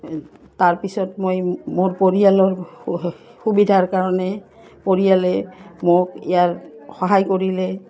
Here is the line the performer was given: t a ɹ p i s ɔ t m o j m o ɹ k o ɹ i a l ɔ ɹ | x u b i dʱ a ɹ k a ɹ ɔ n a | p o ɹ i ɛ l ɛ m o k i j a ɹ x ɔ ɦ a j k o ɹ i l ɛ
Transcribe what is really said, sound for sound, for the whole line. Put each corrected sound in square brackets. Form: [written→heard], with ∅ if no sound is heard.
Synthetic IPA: t a ɹ p i s ɔ t m o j m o ɹ [k→p] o ɹ i a l ɔ ɹ | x u b i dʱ a ɹ k a ɹ ɔ n [a→ɛ] | p o ɹ i [ɛ→a] l ɛ m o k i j a ɹ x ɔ ɦ a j k o ɹ i l ɛ